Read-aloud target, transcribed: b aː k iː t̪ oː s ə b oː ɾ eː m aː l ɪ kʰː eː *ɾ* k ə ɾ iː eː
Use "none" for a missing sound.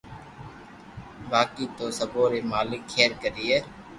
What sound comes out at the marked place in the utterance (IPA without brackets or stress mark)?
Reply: ɾ